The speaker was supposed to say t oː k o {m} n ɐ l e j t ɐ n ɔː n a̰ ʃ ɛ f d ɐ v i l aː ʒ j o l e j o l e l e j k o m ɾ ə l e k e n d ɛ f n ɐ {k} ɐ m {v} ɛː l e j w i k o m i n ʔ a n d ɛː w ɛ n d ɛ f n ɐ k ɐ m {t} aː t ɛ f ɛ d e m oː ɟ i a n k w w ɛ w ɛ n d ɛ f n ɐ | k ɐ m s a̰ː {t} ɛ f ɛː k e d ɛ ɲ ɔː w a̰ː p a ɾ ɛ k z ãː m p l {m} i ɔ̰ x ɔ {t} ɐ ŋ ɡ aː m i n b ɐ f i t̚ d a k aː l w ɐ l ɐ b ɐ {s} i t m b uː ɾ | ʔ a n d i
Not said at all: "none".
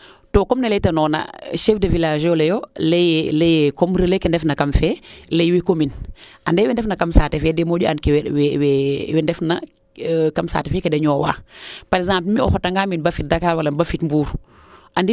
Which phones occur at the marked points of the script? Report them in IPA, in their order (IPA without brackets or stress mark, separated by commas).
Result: m, k, f, s, t, m, t, f